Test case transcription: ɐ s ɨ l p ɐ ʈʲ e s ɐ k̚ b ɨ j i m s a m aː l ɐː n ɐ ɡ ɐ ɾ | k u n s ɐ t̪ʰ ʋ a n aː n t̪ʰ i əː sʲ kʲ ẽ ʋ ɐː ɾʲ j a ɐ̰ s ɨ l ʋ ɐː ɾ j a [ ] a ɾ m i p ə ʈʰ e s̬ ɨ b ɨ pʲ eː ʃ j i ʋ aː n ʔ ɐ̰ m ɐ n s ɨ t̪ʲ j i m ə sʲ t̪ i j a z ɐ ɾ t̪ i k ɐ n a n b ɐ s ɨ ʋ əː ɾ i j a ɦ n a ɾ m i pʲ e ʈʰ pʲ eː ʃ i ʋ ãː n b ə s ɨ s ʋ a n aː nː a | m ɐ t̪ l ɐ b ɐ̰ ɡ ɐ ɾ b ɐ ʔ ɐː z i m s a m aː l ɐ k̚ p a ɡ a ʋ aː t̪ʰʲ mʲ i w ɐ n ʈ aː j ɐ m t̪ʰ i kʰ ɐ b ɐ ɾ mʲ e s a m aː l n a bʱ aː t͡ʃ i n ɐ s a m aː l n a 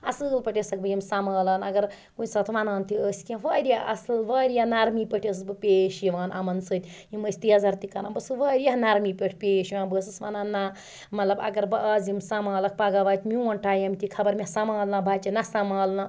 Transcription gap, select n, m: n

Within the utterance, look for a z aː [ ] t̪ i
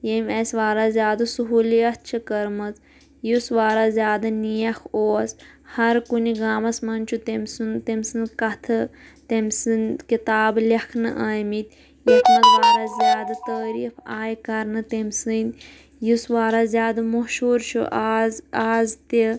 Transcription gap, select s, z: z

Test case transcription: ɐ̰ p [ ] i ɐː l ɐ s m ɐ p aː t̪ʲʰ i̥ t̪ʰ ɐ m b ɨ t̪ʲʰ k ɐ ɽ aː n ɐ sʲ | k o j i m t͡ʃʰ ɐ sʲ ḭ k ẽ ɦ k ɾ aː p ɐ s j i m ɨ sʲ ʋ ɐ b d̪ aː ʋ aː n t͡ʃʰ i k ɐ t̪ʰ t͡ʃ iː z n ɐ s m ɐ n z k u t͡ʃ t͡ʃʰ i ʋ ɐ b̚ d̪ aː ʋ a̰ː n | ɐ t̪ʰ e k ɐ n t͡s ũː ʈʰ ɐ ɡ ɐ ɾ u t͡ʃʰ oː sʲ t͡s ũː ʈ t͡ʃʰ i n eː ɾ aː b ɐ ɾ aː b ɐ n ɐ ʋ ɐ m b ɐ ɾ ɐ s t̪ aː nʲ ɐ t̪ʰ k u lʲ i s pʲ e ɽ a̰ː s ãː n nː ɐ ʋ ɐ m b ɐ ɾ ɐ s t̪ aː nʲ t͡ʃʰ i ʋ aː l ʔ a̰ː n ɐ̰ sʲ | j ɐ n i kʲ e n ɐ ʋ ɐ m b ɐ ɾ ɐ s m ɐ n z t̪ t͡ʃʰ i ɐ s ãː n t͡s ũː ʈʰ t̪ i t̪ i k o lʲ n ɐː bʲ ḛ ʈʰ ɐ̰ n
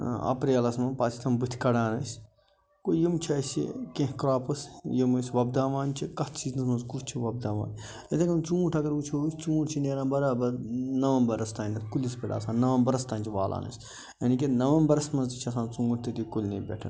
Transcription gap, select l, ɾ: ɾ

